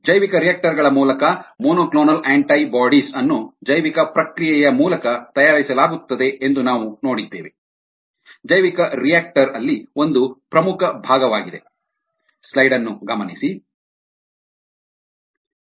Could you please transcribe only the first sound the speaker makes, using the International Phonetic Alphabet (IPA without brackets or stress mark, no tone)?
d͡ʒ